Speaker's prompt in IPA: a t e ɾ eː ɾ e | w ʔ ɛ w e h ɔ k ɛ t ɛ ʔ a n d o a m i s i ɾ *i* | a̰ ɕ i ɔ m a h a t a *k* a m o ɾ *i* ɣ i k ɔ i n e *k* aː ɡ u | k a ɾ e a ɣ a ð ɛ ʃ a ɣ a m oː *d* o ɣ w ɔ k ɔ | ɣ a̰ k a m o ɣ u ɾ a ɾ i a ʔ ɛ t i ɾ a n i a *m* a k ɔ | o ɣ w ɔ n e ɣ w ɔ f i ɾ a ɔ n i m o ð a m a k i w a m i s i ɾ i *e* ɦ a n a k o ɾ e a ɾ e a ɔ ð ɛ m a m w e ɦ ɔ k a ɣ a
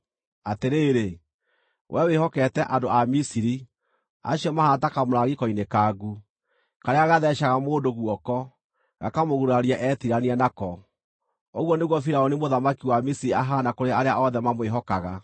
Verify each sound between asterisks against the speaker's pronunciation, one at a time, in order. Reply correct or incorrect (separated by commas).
correct, correct, incorrect, correct, correct, incorrect, incorrect